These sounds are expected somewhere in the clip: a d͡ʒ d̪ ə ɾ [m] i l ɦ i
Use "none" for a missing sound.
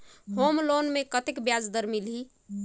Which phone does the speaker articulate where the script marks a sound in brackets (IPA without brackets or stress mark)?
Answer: m